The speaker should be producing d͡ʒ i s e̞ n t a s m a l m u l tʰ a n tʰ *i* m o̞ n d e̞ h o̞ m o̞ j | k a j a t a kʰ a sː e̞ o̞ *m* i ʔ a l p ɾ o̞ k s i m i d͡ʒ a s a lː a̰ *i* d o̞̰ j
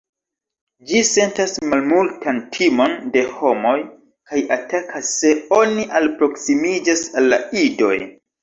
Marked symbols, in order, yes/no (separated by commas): yes, no, yes